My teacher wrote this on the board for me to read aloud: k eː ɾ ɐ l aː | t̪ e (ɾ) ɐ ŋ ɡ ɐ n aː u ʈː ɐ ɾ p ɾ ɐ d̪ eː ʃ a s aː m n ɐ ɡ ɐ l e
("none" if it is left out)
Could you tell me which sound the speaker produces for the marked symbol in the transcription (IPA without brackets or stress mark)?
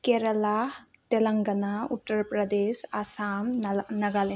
l